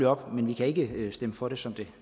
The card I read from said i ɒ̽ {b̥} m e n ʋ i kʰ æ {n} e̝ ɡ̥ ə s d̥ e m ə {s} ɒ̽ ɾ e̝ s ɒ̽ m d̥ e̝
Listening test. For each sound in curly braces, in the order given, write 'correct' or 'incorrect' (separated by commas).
correct, incorrect, incorrect